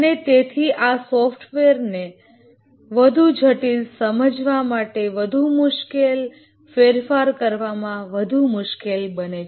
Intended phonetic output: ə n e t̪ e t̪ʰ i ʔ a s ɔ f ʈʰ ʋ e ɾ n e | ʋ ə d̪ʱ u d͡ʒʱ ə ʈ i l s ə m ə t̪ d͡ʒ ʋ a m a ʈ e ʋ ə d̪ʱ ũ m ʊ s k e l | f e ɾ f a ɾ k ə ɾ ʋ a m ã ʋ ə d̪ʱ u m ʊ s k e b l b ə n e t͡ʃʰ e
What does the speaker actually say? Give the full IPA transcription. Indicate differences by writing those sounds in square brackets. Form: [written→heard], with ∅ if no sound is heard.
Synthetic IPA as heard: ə n e t̪ e t̪ʰ i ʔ a s ɔ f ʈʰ ʋ e ɾ n e | ʋ ə d̪ʱ u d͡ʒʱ ə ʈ i l s ə m ə [t̪→∅] d͡ʒ ʋ a m a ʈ e ʋ ə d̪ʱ [ũ→u] m ʊ [s→ʃ] k e l | f e ɾ f a ɾ k ə ɾ ʋ a m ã ʋ ə d̪ʱ u m ʊ [s→ʃ] k e [b→∅] l b ə n e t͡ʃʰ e